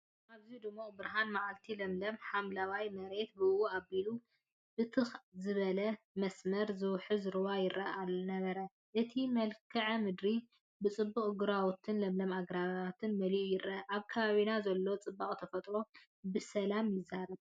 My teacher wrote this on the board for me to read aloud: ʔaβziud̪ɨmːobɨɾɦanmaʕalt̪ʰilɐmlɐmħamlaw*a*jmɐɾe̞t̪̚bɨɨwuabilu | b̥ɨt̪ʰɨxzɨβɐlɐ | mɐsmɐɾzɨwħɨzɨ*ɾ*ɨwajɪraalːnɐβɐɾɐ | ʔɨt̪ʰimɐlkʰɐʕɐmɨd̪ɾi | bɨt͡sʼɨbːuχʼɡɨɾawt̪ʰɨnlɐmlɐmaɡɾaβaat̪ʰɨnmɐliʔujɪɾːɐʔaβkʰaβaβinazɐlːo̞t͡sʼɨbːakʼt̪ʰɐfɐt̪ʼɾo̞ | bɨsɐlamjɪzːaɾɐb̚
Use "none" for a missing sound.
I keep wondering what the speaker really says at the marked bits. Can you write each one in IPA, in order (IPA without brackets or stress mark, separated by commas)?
a, ɾ